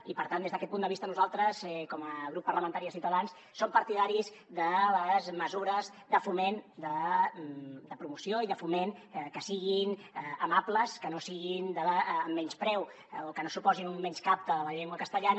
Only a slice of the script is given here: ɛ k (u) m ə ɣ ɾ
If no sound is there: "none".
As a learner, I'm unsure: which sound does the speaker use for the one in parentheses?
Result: ɔ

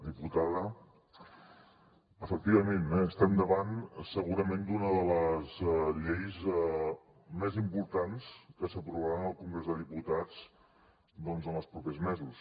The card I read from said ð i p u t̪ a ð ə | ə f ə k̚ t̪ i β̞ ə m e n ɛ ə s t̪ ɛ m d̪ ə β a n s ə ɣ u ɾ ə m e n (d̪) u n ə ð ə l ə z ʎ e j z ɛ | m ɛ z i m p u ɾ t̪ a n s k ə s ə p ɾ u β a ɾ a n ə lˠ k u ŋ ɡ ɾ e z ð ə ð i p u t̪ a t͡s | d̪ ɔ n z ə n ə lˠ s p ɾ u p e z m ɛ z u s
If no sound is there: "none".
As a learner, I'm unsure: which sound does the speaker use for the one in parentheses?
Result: d̪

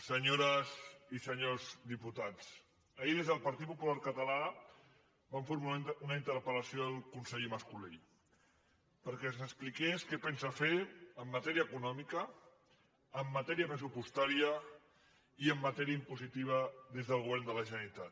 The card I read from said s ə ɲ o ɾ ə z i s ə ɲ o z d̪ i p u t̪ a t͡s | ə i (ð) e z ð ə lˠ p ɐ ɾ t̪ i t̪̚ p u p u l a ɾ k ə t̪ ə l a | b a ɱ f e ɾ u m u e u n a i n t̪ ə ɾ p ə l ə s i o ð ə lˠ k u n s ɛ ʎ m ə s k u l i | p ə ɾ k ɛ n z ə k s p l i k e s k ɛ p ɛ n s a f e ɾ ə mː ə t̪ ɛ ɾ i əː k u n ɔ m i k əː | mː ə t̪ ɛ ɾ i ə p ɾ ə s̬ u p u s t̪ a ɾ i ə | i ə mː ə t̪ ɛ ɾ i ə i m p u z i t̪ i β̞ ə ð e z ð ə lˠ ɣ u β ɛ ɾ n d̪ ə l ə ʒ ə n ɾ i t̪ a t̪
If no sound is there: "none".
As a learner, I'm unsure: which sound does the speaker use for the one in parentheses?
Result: ð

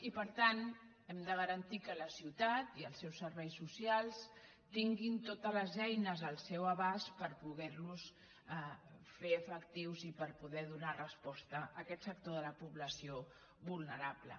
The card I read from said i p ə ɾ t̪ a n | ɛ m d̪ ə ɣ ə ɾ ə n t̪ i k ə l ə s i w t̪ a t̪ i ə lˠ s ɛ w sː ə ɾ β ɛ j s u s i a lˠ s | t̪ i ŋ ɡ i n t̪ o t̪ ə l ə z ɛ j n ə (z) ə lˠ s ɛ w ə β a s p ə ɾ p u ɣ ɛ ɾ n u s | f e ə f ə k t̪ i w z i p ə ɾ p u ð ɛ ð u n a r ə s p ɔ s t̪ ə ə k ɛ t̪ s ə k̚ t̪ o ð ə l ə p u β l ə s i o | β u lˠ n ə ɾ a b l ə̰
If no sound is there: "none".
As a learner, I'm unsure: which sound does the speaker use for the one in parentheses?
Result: z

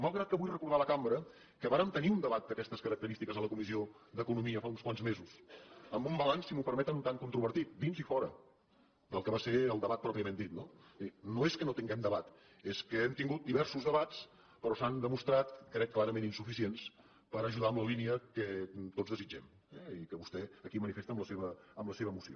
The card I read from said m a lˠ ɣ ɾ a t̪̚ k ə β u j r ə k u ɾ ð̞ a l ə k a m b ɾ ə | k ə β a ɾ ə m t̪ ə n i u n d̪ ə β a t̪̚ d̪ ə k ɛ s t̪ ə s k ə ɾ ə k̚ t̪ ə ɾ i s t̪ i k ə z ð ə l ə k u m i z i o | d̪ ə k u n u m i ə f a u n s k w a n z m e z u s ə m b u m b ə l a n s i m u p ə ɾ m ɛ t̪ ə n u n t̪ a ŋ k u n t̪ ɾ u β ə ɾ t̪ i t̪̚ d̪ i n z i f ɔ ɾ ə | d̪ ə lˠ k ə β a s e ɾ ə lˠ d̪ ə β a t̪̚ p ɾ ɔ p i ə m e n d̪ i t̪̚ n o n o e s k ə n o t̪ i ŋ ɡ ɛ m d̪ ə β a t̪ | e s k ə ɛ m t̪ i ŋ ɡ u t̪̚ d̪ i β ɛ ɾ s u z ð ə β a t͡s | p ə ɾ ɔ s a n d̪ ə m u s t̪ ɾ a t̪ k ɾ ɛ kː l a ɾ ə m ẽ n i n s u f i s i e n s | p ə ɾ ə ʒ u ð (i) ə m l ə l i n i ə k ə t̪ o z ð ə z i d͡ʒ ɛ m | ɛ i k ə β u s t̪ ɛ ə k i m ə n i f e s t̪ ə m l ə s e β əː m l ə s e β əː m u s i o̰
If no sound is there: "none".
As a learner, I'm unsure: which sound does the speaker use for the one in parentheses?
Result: a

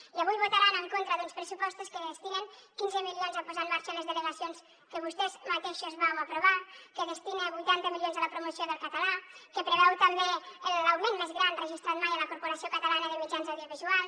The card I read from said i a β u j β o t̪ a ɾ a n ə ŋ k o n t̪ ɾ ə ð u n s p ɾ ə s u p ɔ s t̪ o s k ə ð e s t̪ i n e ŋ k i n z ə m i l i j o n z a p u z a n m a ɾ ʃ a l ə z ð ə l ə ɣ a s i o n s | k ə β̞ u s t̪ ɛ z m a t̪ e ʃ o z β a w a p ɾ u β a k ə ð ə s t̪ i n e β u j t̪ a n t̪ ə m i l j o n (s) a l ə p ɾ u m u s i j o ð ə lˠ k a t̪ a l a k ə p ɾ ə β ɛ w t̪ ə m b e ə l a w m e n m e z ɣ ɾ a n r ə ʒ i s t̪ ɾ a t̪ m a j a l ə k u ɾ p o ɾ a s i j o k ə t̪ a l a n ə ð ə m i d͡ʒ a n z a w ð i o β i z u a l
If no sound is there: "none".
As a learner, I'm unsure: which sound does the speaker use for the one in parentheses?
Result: z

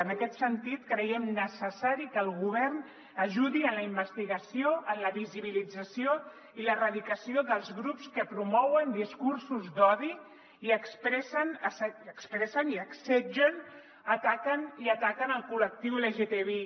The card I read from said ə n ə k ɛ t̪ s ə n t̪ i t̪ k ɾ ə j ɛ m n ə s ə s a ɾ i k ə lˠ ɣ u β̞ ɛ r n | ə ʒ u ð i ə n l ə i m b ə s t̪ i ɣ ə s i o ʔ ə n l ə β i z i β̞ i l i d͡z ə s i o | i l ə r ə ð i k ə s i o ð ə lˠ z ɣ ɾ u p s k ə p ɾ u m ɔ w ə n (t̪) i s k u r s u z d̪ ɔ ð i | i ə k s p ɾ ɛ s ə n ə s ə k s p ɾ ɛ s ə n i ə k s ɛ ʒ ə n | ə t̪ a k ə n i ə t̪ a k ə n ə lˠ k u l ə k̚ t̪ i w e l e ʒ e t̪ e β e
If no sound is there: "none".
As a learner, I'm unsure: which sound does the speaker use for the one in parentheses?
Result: d̪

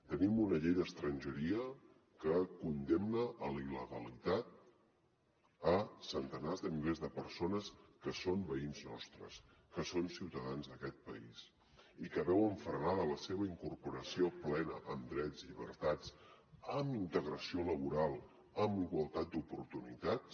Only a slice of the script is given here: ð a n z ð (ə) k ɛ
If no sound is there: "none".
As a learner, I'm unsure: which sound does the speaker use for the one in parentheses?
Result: ə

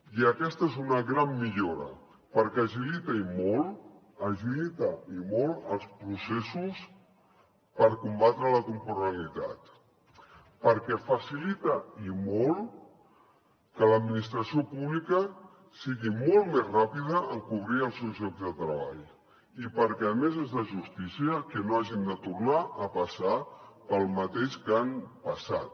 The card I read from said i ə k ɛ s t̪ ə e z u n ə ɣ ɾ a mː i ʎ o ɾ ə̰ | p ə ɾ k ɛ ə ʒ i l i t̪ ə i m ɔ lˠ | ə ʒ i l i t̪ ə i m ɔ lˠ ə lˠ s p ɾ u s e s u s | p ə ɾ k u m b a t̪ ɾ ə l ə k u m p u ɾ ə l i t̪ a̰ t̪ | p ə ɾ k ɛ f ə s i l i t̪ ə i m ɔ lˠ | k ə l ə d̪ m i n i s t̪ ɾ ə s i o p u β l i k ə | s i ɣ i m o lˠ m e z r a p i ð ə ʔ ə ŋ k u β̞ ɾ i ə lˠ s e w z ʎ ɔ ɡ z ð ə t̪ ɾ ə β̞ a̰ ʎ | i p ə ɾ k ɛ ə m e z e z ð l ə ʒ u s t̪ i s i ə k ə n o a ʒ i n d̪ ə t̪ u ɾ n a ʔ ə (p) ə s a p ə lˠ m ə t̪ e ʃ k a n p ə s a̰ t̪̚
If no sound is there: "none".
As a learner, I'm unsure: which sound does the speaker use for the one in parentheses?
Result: p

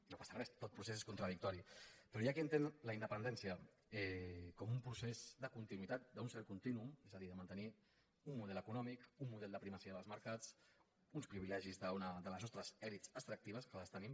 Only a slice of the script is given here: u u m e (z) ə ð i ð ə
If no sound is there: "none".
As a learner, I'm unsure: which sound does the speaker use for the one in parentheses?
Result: z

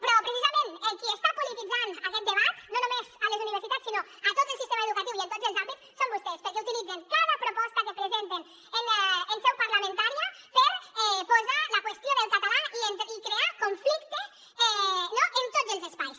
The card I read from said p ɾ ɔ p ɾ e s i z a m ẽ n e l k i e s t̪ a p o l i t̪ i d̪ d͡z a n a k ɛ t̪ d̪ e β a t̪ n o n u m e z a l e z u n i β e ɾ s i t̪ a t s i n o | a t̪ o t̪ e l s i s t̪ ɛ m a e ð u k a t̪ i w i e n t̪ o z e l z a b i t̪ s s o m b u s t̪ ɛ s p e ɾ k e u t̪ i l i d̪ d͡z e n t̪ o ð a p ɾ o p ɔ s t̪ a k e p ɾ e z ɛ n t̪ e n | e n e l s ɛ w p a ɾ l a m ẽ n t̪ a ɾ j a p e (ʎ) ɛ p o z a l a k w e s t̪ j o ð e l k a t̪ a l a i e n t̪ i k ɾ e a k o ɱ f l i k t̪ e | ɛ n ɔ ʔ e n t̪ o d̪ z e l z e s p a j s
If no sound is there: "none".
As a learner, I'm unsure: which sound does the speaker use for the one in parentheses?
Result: ɾ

